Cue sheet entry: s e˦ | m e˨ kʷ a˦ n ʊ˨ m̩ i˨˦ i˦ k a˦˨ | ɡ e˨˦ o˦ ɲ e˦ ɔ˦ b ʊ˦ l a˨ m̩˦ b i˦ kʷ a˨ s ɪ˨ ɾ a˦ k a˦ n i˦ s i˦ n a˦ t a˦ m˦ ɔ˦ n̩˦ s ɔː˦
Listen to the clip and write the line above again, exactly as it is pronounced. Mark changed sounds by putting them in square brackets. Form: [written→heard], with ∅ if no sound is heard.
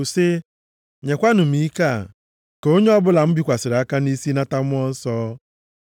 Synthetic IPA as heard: s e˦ | [m→ɲ] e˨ kʷ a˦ n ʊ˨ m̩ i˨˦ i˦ k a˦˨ | [ɡ→k] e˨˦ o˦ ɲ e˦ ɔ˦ b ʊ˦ l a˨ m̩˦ b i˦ kʷ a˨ s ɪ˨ ɾ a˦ k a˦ n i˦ s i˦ n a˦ t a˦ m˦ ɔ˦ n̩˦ s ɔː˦